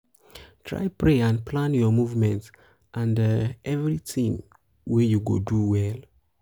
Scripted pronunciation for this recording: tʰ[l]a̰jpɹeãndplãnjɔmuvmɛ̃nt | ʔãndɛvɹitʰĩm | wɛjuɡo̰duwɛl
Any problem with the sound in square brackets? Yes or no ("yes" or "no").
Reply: yes